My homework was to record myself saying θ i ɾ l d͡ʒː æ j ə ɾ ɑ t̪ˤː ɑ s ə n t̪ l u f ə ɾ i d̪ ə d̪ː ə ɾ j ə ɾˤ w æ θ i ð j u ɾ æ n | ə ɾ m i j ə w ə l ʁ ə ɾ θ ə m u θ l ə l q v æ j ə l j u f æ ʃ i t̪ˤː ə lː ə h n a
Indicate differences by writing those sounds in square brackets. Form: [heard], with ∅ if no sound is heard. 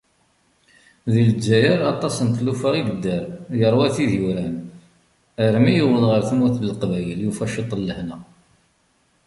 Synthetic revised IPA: [ð] i [∅] l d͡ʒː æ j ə ɾ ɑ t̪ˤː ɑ s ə n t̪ l u f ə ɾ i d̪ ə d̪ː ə ɾ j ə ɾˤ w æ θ i ð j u ɾ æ n | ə ɾ m i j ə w ə l ʁ ə ɾ θ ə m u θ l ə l q v æ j ə l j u f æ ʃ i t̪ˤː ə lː ə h n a